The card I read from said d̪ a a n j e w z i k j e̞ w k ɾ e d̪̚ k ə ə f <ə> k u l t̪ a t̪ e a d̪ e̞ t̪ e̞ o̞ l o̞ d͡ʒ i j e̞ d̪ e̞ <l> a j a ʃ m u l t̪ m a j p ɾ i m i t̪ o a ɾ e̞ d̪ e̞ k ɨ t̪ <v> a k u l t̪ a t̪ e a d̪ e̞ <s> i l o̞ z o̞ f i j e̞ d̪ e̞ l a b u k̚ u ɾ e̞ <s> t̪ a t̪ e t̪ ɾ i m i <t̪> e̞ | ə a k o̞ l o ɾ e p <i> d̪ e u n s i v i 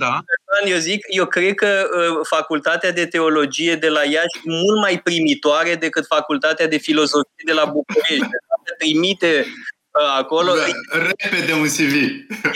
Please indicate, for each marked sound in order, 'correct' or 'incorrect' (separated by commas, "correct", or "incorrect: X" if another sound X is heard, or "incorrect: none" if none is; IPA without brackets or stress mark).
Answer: incorrect: a, correct, incorrect: f, incorrect: f, incorrect: ʃ, correct, incorrect: e